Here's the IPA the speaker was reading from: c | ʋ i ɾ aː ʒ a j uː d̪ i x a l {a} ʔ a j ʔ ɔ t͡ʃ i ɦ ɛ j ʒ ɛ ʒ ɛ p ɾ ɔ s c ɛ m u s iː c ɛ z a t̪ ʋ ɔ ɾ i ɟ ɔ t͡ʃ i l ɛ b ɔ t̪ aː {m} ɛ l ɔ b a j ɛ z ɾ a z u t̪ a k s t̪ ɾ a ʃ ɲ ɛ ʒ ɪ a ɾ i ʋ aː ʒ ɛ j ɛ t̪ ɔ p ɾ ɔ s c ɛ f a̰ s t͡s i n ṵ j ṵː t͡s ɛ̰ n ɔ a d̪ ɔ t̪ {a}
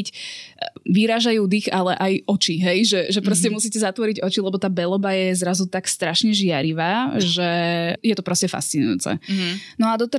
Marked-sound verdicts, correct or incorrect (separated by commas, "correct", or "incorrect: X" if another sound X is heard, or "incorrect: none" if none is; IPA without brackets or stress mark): incorrect: ɛ, incorrect: b, incorrect: ɛ